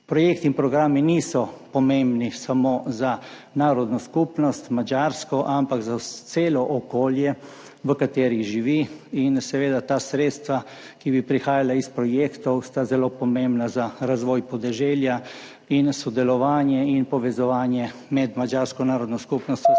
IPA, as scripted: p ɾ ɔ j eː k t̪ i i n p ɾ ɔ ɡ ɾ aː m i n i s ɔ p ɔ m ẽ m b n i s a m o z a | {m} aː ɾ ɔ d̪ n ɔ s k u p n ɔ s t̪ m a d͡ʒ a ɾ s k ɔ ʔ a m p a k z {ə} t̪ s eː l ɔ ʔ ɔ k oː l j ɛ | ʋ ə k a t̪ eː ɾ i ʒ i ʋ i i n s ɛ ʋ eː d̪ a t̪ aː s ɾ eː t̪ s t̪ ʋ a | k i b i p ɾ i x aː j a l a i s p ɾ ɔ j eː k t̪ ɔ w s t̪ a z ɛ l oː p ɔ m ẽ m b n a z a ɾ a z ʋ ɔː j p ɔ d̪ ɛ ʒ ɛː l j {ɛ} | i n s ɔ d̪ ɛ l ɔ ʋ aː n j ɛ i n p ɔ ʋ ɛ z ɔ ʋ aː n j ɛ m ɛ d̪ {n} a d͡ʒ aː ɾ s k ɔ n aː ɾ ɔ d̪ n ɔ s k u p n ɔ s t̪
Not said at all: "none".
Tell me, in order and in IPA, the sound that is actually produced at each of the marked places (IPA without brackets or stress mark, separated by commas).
n, a, a, m